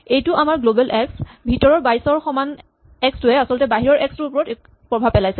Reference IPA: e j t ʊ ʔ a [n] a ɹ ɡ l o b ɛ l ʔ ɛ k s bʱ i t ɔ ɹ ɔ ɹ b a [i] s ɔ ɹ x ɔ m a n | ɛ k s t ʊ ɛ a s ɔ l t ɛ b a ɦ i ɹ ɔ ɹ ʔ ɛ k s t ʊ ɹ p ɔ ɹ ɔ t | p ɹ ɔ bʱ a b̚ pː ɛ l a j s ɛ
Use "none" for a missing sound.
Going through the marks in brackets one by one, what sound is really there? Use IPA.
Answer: m, j

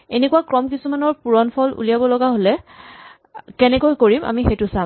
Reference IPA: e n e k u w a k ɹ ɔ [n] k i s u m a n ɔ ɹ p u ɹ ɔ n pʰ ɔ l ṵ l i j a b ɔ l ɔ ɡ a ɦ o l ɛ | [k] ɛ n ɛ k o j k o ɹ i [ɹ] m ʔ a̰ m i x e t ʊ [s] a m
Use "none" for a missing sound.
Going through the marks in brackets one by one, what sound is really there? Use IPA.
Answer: m, k, none, s

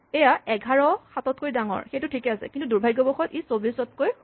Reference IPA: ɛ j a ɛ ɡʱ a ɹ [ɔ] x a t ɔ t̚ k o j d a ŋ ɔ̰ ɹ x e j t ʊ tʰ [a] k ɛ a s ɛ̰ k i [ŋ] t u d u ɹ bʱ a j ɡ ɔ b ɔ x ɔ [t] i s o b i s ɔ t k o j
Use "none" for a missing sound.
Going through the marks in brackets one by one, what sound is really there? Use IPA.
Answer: ɔ, i, n, t

